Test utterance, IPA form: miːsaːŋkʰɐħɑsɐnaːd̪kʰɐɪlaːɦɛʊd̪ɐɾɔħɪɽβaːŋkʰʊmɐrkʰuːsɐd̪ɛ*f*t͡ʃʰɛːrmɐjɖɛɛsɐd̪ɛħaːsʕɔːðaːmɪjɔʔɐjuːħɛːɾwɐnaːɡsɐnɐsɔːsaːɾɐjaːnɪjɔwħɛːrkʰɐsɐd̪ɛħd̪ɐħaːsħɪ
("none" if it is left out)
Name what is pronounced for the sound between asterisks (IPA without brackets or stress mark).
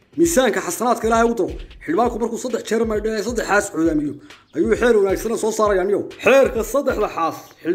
ħ